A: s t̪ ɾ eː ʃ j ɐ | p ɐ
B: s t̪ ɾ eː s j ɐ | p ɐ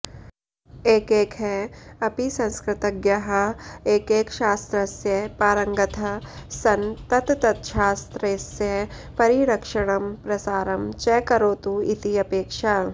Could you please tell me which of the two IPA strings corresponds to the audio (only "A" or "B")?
B